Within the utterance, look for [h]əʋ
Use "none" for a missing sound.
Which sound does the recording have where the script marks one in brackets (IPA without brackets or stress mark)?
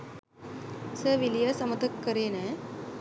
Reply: s